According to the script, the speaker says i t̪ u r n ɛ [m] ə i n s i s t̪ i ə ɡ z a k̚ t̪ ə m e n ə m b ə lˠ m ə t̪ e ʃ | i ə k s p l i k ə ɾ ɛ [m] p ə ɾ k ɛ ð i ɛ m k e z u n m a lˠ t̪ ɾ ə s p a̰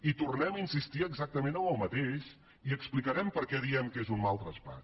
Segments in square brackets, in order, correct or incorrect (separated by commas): correct, correct